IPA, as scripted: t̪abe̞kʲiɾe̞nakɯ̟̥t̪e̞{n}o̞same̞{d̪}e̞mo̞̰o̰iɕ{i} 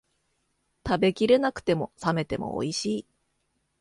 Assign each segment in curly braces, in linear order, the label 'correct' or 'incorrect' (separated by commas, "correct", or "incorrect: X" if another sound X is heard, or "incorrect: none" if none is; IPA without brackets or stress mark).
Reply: incorrect: m, incorrect: t̪, incorrect: iː